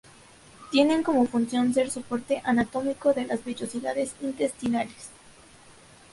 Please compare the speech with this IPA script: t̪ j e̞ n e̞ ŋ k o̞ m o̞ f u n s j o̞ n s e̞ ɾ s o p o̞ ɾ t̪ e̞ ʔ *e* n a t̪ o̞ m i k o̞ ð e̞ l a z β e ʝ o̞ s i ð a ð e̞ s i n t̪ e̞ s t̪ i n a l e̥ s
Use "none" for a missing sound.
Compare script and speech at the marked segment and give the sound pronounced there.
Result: a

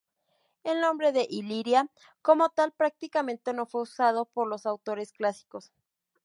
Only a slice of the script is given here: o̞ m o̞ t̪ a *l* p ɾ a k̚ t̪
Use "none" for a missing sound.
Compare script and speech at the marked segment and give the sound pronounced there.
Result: l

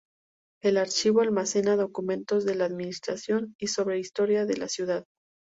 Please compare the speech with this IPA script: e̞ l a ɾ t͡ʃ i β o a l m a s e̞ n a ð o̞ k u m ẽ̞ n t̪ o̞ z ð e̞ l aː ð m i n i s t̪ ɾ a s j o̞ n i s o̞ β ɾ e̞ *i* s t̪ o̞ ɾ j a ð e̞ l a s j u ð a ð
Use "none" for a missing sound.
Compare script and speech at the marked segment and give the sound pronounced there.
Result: i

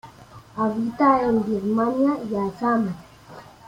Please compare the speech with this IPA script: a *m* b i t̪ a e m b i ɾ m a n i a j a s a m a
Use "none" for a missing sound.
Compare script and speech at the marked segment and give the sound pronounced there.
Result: none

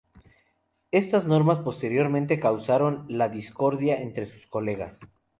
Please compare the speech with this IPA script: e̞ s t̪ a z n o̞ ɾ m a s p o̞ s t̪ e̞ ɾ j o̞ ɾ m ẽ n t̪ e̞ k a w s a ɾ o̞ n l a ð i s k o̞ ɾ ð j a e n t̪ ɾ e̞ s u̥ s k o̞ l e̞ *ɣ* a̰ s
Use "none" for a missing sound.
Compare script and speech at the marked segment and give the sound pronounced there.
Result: ɣ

